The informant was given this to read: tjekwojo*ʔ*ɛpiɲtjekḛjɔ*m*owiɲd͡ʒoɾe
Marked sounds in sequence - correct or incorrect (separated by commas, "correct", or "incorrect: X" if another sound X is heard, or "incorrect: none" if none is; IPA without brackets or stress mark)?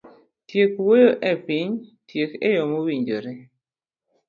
correct, correct